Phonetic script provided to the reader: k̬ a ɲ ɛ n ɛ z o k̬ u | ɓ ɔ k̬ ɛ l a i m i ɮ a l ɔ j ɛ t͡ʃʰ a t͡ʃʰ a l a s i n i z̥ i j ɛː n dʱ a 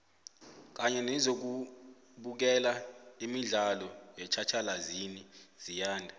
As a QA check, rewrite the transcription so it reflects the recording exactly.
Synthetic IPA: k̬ a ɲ ɛ n ɛ z o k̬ u | ɓ u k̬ ɛ l a i m i ɮ a l ɔ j ɛ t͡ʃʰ a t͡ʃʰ a l a z i n i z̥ i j aː n dʱ a